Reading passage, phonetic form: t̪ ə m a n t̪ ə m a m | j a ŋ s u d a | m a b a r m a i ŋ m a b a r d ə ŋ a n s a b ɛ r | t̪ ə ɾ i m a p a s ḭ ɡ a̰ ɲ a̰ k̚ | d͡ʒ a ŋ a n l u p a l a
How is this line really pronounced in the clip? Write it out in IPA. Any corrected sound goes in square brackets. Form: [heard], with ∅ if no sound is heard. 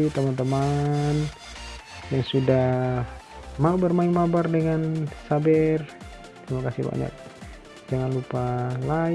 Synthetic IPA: t̪ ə m a n t̪ ə m a [n] | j a ŋ s u d a | m a b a r m a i ŋ m a b a r d ə ŋ a n s a b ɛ r | t̪ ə ɾ i m a [k] a s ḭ [b] a̰ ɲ a̰ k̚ | d͡ʒ a ŋ a n l u p a l a

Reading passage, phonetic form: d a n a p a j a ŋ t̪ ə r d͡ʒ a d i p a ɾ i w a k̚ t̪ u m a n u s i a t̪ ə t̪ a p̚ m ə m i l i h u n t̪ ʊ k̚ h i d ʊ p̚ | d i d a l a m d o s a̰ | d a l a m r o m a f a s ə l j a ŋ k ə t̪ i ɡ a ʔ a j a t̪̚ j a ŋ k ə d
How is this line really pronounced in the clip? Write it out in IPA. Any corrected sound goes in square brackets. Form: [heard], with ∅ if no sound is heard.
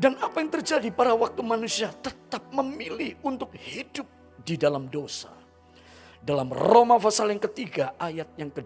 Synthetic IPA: d a n a p a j a ŋ t̪ ə r d͡ʒ a d i p a ɾ [a] w a k̚ t̪ u m a n u s i a t̪ ə t̪ a p̚ m ə m i l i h u n t̪ ʊ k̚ h i d ʊ p̚ | d i d a l a m d o s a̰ | d a l a m r o m a f a s [a] l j a ŋ k ə t̪ i ɡ a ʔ a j a t̪̚ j a ŋ k ə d

